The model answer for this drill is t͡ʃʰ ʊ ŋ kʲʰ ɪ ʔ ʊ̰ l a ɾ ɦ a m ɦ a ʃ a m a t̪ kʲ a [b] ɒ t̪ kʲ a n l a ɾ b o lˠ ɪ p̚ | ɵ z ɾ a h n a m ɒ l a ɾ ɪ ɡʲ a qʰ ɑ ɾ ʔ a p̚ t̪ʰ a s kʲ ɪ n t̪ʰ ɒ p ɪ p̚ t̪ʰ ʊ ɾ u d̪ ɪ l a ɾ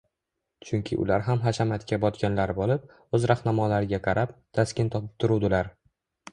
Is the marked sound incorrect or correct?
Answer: correct